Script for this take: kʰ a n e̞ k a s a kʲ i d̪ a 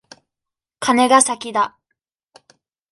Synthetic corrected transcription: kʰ a n e̞ ɡ a s a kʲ i d̪ a